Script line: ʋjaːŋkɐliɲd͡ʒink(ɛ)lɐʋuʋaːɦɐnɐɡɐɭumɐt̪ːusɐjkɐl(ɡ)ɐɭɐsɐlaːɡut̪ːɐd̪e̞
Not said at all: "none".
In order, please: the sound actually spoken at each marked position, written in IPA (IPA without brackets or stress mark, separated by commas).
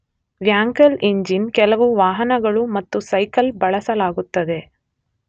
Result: ɛ, b